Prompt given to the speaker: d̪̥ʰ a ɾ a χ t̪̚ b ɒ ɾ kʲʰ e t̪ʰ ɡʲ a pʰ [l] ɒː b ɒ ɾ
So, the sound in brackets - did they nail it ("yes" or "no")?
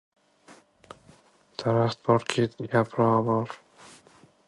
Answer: no